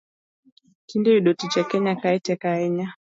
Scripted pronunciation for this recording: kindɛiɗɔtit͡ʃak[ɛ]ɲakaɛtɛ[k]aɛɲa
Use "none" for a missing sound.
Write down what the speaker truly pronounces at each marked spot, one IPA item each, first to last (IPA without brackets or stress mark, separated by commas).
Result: ɛ, k